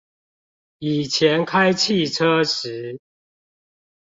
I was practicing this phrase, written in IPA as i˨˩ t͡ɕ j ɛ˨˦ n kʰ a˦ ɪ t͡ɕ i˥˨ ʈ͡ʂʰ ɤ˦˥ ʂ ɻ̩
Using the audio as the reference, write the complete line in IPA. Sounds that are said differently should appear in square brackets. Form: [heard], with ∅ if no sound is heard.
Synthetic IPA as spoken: i˨˩ [t͡ɕʰ] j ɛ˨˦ n kʰ a˦ ɪ [t͡ɕʰ] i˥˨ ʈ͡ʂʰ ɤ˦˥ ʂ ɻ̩